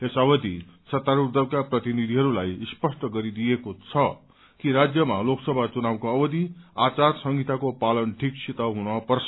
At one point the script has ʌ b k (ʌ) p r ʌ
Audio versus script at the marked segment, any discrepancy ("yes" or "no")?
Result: yes